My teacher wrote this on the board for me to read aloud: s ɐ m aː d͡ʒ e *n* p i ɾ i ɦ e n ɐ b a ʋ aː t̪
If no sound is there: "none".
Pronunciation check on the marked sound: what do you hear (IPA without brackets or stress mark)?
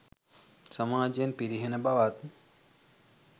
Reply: n